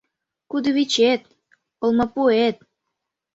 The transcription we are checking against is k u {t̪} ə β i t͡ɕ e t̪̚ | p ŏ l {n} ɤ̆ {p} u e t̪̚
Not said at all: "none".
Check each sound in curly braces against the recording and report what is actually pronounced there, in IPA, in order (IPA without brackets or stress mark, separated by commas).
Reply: d̪, m, p